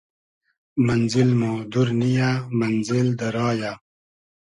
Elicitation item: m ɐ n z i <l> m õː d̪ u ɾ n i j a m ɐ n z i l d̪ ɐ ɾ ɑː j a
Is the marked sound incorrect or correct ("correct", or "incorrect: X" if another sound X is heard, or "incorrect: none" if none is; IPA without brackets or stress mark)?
correct